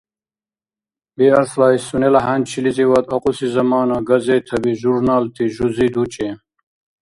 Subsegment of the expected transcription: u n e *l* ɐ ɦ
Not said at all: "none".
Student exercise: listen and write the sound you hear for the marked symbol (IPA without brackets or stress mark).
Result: l